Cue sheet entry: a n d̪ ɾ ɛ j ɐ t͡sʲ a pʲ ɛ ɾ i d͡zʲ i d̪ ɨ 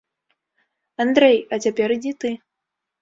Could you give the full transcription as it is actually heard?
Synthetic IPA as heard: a n d̪ ɾ ɛ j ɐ t͡sʲ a pʲ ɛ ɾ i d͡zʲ i t̪ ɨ